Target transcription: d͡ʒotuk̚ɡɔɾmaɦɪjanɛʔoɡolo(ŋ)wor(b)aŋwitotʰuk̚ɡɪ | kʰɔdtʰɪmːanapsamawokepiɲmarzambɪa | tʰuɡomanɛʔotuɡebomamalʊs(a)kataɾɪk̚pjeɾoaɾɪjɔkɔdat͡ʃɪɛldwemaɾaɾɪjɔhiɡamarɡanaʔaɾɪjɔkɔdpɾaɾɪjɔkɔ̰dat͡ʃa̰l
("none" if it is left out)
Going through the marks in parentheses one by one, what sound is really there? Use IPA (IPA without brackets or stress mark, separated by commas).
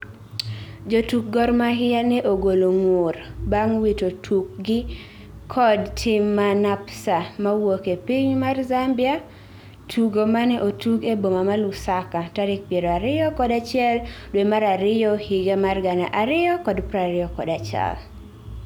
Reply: ŋ, b, a